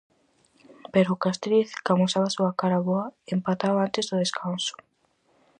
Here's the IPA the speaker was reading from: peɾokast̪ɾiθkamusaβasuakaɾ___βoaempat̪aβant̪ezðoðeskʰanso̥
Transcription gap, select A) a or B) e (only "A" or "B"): A